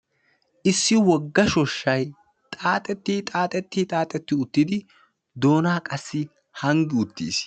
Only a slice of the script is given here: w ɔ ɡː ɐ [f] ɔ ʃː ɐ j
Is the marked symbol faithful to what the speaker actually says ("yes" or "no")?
no